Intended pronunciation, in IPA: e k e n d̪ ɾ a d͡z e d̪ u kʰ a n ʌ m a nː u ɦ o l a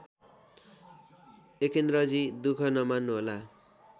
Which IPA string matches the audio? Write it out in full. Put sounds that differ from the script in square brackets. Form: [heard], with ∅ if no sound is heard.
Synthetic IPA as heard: e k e n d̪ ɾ [ʌ] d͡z [i] d̪ u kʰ [ʌ] n ʌ m a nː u ɦ o l a